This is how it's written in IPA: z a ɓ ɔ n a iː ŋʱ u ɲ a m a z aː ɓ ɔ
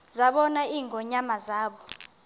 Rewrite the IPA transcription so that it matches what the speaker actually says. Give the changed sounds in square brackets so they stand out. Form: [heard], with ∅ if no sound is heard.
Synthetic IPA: z a ɓ ɔ n a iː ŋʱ [ɔ] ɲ a m a z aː ɓ ɔ